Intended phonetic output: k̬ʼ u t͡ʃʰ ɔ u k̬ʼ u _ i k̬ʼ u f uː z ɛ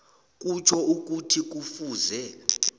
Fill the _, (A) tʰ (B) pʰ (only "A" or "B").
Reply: A